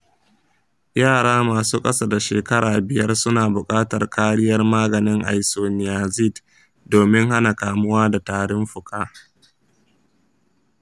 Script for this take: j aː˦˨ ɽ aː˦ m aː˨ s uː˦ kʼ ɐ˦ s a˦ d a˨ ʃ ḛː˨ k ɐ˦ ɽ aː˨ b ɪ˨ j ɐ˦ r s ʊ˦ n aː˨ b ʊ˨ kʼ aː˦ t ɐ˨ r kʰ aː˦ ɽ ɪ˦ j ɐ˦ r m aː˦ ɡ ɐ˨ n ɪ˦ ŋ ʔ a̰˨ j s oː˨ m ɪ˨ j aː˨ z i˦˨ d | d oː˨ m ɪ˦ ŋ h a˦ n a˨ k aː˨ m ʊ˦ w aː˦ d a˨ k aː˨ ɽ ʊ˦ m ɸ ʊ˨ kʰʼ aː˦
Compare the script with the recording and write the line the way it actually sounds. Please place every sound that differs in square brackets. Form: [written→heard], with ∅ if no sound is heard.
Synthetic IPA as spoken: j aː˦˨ ɽ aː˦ m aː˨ s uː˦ kʼ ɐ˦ s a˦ d a˨ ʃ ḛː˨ k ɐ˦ ɽ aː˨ b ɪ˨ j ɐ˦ r s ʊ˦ n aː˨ b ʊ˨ kʼ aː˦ t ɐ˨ r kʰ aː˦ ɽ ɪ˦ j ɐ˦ r m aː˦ ɡ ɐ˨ n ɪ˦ ŋ ʔ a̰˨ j s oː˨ [m→n] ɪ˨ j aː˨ z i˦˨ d | d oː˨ m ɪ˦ ŋ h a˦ n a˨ k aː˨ m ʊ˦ w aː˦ d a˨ [k→t] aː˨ ɽ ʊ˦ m ɸ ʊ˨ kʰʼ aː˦